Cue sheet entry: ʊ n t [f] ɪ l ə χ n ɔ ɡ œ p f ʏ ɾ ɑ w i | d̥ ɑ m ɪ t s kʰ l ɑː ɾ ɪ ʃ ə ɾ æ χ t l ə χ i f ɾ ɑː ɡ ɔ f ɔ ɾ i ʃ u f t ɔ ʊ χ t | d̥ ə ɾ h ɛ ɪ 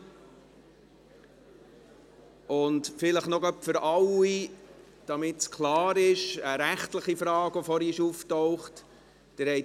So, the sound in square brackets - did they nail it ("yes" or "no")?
yes